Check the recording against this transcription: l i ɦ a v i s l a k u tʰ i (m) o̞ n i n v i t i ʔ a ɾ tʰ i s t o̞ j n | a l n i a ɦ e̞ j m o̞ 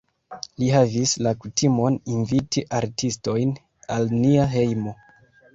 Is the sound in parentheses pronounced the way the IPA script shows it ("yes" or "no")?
yes